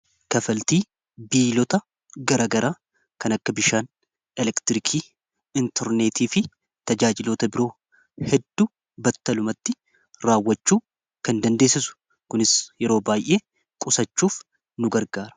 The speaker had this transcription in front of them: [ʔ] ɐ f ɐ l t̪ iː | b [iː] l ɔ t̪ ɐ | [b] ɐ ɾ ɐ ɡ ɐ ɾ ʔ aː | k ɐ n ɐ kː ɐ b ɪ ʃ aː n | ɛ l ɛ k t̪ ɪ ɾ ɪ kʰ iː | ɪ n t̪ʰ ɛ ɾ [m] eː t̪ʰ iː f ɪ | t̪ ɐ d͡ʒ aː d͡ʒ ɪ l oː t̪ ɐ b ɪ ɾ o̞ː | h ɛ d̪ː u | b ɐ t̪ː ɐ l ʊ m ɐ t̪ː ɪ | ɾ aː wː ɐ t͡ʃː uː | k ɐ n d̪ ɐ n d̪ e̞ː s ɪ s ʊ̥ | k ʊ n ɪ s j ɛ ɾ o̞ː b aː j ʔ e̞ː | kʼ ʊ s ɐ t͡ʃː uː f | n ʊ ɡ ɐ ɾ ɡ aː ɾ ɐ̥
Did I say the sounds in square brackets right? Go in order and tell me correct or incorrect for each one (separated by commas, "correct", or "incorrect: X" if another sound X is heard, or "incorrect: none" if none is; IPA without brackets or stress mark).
incorrect: k, correct, incorrect: ɡ, incorrect: n